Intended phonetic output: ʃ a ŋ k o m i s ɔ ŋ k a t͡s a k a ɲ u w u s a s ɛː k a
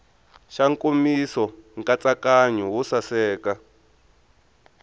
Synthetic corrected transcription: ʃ a ŋ k o m i s ɔ ŋ k a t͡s a k a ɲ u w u s a s ɛː k a